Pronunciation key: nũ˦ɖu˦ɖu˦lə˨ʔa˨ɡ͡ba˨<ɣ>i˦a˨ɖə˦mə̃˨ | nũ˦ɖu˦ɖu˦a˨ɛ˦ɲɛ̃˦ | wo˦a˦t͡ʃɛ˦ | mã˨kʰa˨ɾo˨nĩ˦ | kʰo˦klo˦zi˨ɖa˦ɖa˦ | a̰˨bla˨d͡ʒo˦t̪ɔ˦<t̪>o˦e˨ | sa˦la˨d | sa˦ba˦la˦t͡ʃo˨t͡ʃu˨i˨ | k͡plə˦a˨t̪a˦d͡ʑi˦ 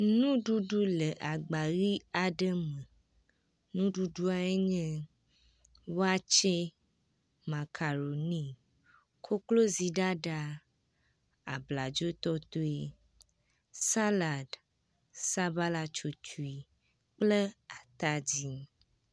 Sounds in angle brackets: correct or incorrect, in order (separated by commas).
correct, correct